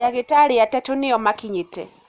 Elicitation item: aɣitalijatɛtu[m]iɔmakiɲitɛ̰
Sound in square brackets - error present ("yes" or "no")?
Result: yes